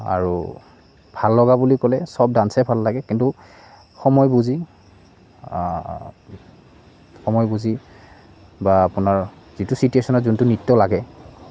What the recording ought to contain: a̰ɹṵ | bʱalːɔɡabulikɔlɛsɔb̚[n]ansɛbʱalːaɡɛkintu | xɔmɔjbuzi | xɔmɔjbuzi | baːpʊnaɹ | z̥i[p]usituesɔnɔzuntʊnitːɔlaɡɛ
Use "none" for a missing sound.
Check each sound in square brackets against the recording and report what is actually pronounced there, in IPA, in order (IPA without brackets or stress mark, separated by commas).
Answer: d, t